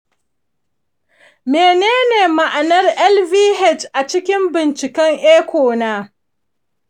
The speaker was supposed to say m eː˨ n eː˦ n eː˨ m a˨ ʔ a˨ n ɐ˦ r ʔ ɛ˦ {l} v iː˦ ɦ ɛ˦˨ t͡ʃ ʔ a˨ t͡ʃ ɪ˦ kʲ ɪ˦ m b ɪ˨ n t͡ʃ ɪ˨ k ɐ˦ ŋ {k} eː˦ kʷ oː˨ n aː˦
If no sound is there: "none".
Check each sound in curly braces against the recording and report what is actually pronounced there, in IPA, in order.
l, ʔ

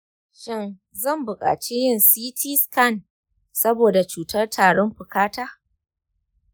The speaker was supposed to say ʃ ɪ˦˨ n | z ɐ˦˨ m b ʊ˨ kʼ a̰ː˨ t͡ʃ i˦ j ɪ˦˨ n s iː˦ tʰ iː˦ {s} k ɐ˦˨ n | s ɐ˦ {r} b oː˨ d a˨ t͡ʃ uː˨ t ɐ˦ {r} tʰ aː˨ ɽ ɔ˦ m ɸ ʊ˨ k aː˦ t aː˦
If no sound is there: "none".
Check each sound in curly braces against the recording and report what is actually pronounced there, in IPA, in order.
s, none, r

